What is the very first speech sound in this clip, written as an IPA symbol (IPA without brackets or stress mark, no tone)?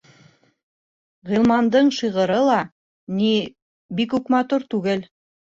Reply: ʁ